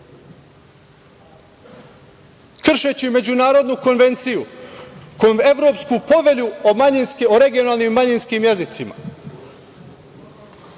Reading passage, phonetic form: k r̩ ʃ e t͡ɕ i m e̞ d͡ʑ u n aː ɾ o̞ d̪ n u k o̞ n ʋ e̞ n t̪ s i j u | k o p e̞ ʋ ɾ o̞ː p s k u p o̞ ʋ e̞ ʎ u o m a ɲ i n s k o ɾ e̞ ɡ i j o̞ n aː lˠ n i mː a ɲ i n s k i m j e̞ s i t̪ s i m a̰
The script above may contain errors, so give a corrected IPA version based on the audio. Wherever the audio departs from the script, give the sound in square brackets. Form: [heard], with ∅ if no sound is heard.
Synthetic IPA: k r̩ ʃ e t͡ɕ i m e̞ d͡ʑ u n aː ɾ o̞ d̪ n u k o̞ n ʋ e̞ n t̪ s i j u | k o [∅] e̞ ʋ ɾ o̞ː p s k u p o̞ ʋ e̞ ʎ u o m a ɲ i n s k o ɾ e̞ ɡ i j o̞ n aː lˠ n i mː a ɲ i n s k i m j e̞ [z] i t̪ s i m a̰